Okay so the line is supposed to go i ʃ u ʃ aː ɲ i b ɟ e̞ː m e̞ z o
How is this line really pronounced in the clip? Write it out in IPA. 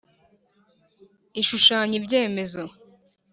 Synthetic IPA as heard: i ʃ u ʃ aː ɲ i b ɟ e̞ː m e̞ z o